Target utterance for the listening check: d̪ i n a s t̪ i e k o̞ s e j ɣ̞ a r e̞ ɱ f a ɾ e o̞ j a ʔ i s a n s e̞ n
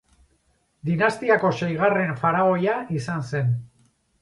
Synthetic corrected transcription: d̪ i n a s t̪ i a k o̞ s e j ɣ̞ a r e̞ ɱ f a ɾ a o̞ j a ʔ i s a n s e̞ n

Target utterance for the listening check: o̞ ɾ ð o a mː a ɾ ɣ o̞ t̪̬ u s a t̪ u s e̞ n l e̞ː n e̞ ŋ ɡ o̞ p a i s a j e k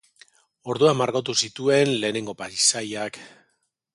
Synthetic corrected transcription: o̞ ɾ ð u a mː a ɾ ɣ o̞ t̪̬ u s i t̪ u e̞ n l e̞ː n e̞ ŋ ɡ o̞ p a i s a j a k

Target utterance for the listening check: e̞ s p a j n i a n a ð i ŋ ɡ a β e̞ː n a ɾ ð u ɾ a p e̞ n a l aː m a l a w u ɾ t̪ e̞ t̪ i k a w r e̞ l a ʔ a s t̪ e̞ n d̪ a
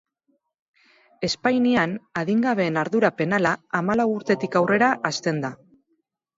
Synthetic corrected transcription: e̞ s p a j n i a n a ð i ŋ ɡ a β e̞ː n a ɾ ð u ɾ a p e̞ n a l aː m a l a w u ɾ t̪ e̞ t̪ i k a w r e̞ ɾ a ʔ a s t̪ e̞ n d̪ a

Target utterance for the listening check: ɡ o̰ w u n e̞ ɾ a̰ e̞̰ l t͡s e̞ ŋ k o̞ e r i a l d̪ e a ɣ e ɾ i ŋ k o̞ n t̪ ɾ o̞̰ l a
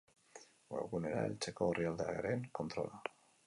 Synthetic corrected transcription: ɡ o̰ ɣ u n e̞ ɾ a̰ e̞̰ l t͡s e̞ k o̞ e r i a l d̪ e a ɣ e ɾ e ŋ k o̞ n t̪ ɾ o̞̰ l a

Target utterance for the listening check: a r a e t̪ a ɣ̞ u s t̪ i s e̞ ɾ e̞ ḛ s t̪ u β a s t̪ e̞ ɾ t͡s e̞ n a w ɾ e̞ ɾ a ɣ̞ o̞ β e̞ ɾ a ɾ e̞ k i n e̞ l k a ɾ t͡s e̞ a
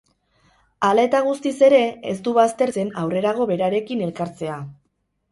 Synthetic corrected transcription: a l a e t̪ a ɣ̞ u s t̪ i s e̞ ɾ e̞ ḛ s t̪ u β a s t̪ e̞ ɾ t͡s e̞ n a w r e̞ ɾ a ɣ̞ o̞ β e̞ ɾ a ɾ e̞ k i n e̞ l k a ɾ t͡s e̞ a

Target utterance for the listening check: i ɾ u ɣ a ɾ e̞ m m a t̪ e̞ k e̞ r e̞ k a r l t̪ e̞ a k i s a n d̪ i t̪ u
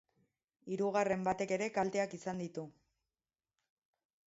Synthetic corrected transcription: i ɾ u ɣ a r e̞ m b a t̪ e̞ k e̞ ɾ e̞ k a l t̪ e̞ a k i s a n d̪ i t̪ u

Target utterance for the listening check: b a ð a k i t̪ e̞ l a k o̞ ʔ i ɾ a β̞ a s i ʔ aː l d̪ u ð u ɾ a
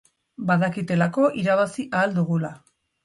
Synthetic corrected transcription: b a ð a k i t̪ e̞ l a k o̞ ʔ i ɾ a β̞ a s i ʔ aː l d̪ u ɣ u l a

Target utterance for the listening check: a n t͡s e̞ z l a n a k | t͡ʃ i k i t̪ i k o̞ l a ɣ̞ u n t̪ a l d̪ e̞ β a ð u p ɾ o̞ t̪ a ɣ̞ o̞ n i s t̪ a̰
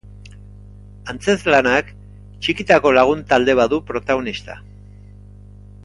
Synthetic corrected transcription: a n t͡s e̞ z l a n a k | t͡ʃ i k i t̪ a k o̞ l a ɣ̞ u n t̪ a l d̪ e̞ β a ð u p ɾ o̞ t̪ a ɣ̞ o̞ n i s t̪ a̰

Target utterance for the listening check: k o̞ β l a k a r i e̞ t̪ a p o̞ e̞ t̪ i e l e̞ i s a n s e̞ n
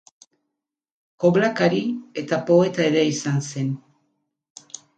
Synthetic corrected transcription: k o̞ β l a k a ɾ i e̞ t̪ a p o̞ e̞ t̪ a e ɾ e̞ i s a n s e̞ n

